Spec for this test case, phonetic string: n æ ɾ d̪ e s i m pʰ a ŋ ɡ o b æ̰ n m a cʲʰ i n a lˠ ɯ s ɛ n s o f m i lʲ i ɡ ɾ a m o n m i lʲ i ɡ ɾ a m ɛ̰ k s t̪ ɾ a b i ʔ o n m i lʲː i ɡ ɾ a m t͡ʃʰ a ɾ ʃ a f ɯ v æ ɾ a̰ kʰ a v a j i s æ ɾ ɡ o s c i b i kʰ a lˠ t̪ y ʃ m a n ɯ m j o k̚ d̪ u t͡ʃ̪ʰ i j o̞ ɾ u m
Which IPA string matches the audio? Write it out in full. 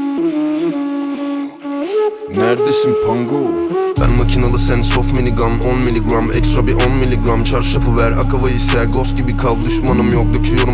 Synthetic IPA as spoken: n æ ɾ d̪ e s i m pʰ a ŋ ɡ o b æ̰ n m a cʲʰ i n a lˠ ɯ s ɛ n s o f m i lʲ i ɡ ɾ a m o n m i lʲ i ɡ ɾ a m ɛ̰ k s t̪ ɾ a b i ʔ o n m i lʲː i ɡ ɾ a m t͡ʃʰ a ɾ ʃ a f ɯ v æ ɾ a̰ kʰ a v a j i s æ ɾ ɡ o s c i b i kʰ a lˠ d̪ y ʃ m a n ɯ m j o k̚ d̪ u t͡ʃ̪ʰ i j o̞ ɾ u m